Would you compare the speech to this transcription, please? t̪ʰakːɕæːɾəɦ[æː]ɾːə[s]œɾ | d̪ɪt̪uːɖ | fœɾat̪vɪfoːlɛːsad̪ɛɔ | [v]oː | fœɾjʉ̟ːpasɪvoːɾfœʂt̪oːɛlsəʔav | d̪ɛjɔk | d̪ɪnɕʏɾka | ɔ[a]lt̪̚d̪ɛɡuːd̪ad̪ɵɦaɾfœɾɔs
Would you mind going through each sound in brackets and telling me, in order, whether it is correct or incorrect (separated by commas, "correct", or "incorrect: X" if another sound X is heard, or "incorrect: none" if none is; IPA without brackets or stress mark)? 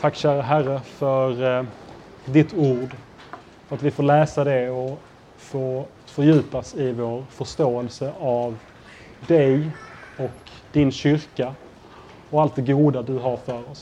incorrect: æ, incorrect: f, incorrect: f, correct